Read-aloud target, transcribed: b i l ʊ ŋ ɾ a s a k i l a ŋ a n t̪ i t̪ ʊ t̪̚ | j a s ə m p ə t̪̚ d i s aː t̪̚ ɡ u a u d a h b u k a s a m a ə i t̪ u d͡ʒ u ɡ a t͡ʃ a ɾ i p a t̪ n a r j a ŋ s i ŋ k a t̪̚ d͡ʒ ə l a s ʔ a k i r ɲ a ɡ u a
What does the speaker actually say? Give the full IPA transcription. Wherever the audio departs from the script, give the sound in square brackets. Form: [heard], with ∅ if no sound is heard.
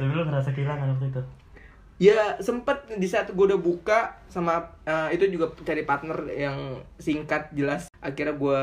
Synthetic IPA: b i l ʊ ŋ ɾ a s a k i l a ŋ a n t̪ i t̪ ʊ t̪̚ | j a s ə m p ə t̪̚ d i s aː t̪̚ ɡ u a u d a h b u k a s a m a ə i t̪ u d͡ʒ u ɡ a t͡ʃ a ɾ i p a t̪ n [ə] r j a ŋ s i ŋ k a t̪̚ d͡ʒ ə l a s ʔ a k i r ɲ a ɡ u a